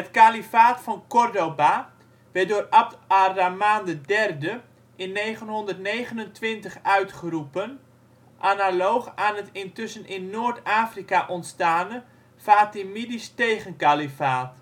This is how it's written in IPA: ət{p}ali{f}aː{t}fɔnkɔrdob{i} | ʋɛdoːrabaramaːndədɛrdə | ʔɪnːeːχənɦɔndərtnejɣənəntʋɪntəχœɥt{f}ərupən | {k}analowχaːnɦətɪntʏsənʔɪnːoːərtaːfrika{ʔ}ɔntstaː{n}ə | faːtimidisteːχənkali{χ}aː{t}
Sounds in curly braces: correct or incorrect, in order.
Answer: incorrect: k, correct, correct, incorrect: a, incorrect: χ, incorrect: ʔ, correct, correct, incorrect: f, correct

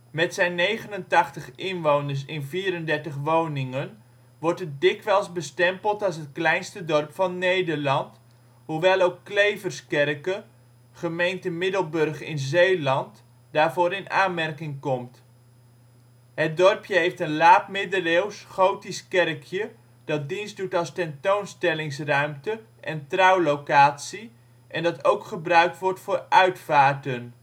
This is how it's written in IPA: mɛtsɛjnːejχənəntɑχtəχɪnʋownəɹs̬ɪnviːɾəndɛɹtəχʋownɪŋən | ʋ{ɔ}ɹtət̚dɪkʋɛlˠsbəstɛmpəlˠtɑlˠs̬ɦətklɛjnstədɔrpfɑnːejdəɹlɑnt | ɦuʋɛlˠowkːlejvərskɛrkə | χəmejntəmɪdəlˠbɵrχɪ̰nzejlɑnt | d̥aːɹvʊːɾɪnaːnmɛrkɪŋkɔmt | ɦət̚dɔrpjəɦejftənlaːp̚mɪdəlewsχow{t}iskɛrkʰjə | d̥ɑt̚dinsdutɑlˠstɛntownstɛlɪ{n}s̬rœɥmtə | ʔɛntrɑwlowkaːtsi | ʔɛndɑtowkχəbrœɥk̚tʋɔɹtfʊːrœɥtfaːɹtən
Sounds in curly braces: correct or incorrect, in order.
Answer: correct, correct, incorrect: ŋ

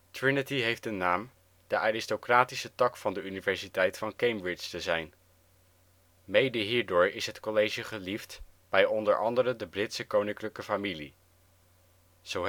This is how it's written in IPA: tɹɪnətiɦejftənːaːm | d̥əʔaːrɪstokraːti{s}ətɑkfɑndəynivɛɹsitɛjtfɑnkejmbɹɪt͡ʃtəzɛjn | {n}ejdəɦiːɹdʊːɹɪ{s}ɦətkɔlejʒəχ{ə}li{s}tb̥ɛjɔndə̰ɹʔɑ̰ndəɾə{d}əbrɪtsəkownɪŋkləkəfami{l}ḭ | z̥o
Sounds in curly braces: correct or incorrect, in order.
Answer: correct, incorrect: m, correct, correct, incorrect: f, correct, correct

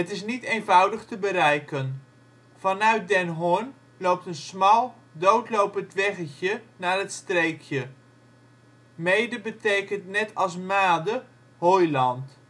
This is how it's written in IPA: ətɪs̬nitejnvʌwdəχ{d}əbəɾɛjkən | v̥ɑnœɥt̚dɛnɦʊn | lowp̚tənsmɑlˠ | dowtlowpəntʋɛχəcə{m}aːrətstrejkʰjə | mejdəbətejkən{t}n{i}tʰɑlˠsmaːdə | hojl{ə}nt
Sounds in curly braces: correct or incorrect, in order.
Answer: incorrect: t, incorrect: n, correct, incorrect: ɛ, incorrect: ɑ

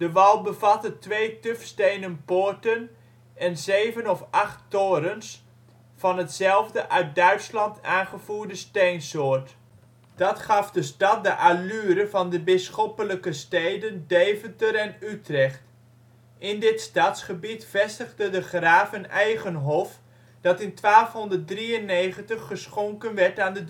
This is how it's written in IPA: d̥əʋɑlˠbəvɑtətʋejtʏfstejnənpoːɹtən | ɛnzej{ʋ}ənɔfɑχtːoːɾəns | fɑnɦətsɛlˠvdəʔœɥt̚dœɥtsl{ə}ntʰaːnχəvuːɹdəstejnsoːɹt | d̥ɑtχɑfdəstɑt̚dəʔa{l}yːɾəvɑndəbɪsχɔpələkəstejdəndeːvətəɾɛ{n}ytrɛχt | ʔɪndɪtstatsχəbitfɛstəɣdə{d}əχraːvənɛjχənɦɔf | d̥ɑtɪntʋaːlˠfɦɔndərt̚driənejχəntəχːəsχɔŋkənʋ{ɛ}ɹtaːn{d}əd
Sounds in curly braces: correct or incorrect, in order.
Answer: incorrect: v, incorrect: ɑ, correct, correct, correct, correct, correct

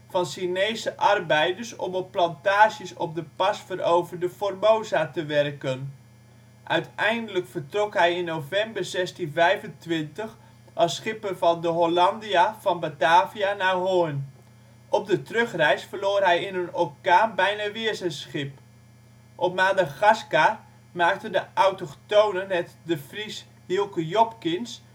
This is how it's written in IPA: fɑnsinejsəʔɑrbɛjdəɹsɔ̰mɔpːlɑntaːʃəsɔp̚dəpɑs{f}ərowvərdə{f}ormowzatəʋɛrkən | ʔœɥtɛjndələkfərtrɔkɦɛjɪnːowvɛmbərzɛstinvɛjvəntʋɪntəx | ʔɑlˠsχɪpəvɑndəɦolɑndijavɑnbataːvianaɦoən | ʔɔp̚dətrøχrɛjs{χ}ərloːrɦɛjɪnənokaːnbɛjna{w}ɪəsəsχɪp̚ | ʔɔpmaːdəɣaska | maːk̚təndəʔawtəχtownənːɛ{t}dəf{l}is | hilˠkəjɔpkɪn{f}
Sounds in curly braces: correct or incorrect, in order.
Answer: correct, correct, incorrect: f, incorrect: ʋ, correct, incorrect: r, incorrect: s

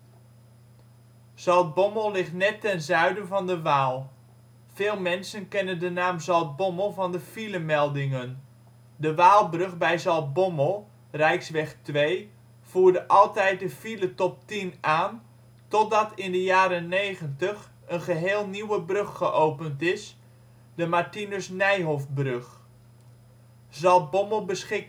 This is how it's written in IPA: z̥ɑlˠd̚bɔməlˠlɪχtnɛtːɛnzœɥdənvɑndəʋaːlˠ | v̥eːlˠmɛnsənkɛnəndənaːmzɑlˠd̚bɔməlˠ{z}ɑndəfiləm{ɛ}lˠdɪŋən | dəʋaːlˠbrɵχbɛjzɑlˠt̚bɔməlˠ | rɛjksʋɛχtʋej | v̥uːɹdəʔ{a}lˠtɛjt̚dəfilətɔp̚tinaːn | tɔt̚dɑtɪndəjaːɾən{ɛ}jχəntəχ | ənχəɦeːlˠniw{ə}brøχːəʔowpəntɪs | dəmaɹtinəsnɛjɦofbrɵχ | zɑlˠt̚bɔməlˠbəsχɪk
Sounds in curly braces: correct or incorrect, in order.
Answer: incorrect: v, correct, incorrect: ɑ, incorrect: e, correct

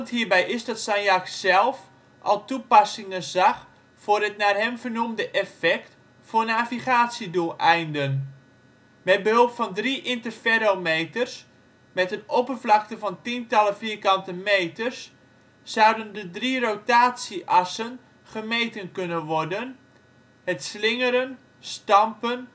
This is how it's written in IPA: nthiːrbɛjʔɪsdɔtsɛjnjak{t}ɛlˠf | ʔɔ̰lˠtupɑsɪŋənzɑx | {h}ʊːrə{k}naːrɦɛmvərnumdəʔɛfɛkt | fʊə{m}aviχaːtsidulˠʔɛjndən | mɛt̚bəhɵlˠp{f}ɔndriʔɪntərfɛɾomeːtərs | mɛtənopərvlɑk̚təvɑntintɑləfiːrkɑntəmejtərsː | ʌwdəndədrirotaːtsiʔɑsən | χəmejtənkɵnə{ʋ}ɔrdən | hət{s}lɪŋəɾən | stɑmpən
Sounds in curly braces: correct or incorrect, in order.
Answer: incorrect: s, incorrect: f, incorrect: t, incorrect: n, correct, correct, correct

